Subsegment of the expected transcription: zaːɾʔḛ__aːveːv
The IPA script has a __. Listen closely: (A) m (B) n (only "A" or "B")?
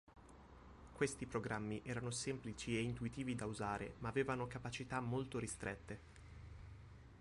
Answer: A